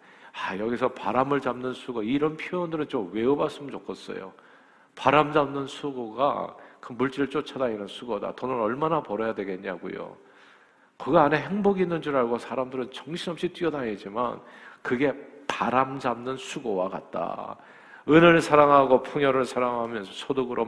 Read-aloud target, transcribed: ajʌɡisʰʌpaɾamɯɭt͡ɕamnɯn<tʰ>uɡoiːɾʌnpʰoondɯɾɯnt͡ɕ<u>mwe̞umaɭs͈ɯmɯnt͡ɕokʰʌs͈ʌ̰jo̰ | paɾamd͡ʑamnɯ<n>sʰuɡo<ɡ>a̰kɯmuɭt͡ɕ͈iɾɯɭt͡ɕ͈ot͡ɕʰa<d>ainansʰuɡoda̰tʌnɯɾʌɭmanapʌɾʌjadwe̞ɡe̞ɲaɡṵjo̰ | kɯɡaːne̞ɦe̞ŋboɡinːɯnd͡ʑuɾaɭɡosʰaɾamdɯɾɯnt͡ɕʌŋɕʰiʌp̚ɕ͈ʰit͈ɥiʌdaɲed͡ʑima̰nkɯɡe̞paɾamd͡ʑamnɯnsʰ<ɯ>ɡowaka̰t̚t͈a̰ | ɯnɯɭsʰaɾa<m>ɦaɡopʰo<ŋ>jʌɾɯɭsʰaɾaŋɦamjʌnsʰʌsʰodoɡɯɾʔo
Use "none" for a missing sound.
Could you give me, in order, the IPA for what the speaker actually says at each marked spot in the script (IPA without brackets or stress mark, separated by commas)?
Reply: sʰ, o, n, ɡ, d, u, ŋ, ŋ